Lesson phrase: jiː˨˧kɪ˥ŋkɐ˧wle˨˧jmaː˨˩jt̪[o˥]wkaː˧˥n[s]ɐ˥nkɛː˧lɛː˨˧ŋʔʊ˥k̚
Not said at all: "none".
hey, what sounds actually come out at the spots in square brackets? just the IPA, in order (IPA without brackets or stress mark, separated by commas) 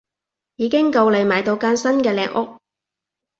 o˧, s